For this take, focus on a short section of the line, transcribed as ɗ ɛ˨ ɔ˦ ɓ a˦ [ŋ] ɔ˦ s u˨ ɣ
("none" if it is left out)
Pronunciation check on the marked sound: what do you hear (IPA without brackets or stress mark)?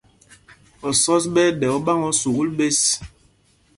ŋ